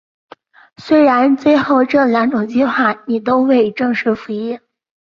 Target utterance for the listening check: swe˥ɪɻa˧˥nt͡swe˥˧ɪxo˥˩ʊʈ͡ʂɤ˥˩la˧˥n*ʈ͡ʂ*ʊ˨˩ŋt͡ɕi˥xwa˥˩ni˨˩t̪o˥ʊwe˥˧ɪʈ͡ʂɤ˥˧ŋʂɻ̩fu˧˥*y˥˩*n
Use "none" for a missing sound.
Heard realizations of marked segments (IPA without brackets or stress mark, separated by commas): ʈ͡ʂ, i˥˩